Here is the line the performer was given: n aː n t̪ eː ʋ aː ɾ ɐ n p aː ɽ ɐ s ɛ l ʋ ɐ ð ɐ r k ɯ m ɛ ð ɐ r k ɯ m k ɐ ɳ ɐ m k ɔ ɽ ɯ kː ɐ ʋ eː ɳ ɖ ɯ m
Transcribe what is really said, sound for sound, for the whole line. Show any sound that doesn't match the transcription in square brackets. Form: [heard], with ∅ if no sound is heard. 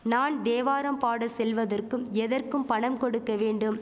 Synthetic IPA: n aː n [d̪] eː ʋ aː ɾ ɐ [m] p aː ɽ ɐ s ɛ l ʋ ɐ ð ɐ r k ɯ m ɛ ð ɐ r k ɯ m [p] ɐ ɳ ɐ m k ɔ ɽ ɯ kː ɐ ʋ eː ɳ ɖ ɯ m